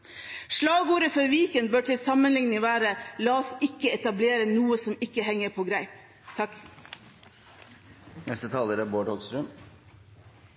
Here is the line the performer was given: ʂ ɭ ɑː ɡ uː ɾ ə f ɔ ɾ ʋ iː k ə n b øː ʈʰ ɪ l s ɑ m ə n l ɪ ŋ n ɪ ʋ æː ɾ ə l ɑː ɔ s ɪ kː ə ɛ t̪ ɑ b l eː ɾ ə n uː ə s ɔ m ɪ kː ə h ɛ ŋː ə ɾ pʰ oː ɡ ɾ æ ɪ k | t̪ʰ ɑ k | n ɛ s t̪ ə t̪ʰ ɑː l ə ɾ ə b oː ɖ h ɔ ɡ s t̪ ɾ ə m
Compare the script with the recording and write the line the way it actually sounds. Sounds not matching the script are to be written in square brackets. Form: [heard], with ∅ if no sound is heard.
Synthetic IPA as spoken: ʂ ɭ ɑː ɡ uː ɾ ə f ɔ ɾ ʋ iː k ə n b øː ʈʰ ɪ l s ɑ m ə n l ɪ ŋ n ɪ ʋ æː ɾ ə l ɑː ɔ s ɪ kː ə ɛ t̪ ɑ b l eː ɾ ə n uː ə s ɔ m ɪ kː ə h ɛ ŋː ə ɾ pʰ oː ɡ ɾ æ ɪ [p] | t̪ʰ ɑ k | n ɛ s t̪ ə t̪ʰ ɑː l ə ɾ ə b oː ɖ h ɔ ɡ s t̪ ɾ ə m

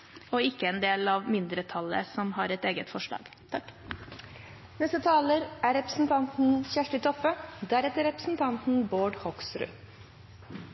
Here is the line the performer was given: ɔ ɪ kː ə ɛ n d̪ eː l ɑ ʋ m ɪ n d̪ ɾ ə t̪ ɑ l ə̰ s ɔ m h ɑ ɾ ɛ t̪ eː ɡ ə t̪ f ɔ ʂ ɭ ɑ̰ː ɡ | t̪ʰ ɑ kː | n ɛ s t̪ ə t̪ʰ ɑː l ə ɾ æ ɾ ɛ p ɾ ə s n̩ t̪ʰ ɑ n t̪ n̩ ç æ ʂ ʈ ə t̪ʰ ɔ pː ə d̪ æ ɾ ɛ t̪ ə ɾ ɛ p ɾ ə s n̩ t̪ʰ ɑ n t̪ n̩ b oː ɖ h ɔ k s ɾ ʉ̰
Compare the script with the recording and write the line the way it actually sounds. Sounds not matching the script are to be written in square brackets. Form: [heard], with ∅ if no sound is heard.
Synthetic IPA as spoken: ɔ ɪ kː ə ɛ n d̪ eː l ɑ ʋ m ɪ n d̪ ɾ ə [t̪ʰ] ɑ l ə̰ s ɔ m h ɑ ɾ ɛ t̪ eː ɡ ə t̪ f ɔ ʂ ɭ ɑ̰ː ɡ | t̪ʰ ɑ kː | n ɛ s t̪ ə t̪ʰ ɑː l ə ɾ æ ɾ ɛ p ɾ ə s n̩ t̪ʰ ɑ n t̪ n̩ ç æ ʂ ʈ ə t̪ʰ ɔ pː ə d̪ æ ɾ ɛ t̪ ə ɾ ɛ p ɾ ə s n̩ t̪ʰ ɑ n t̪ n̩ b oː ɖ h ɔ k s ɾ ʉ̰

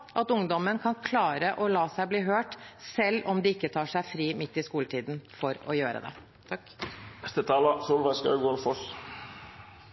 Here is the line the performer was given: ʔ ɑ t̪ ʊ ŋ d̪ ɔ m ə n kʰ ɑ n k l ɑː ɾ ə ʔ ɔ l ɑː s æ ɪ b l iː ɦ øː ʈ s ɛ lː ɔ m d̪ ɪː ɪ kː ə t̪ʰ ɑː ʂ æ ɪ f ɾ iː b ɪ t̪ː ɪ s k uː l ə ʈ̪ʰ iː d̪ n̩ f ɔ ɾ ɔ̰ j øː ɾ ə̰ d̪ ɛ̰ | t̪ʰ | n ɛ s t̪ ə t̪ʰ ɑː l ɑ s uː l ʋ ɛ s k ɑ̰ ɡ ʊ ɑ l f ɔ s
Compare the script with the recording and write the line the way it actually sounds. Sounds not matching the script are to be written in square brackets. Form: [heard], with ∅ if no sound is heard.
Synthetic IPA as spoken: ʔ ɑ t̪ ʊ ŋ d̪ ɔ m ə n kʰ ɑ n [kʰ] l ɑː ɾ ə ʔ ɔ l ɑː s æ ɪ b l iː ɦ øː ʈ s ɛ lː ɔ m d̪ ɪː ɪ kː ə t̪ʰ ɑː ʂ æ ɪ f ɾ iː [m] ɪ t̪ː ɪ s k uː l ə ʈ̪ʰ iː d̪ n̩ f ɔ ɾ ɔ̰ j øː ɾ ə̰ d̪ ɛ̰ | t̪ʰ | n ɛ s t̪ ə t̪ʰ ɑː l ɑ s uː l ʋ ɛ s k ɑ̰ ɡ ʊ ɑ l f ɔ s

